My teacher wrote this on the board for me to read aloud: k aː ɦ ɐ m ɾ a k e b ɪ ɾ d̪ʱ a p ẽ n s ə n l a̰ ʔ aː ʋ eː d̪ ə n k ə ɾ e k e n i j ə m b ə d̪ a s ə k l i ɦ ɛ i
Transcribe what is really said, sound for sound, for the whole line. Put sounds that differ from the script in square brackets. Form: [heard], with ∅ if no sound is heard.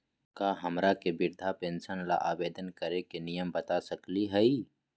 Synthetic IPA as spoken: k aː ɦ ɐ m ɾ a k e b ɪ ɾ d̪ʱ a p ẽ n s ə n l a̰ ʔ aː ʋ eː d̪ ə n k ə ɾ e k e n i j ə m b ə [t̪] a s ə k l i ɦ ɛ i